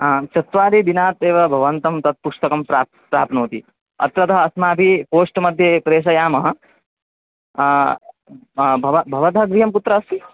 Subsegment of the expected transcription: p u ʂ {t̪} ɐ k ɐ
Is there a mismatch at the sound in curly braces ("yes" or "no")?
no